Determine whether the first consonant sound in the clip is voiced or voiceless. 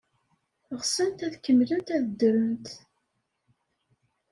voiced